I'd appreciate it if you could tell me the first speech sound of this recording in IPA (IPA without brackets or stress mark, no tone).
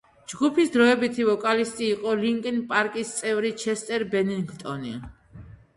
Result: d͡ʒ